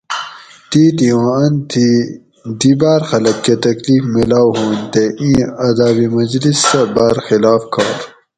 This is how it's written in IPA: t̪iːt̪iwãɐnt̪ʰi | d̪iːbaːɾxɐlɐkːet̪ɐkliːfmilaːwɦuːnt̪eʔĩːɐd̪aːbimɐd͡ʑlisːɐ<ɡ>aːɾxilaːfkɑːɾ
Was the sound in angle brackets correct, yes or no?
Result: no